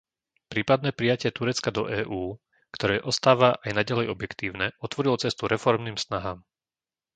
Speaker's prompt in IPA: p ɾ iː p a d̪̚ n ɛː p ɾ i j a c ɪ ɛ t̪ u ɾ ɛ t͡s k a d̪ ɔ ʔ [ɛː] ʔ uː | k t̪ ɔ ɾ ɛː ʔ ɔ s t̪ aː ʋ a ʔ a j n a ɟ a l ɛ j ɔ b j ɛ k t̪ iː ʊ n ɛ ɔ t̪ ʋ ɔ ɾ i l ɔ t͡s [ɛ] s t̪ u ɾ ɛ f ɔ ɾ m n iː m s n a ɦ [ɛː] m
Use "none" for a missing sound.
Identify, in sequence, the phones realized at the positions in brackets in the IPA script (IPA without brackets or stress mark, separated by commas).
ɛː, ɛ, aː